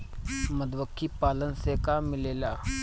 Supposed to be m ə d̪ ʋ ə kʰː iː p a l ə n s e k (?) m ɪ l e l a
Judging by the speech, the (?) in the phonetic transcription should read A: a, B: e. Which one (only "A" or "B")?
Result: A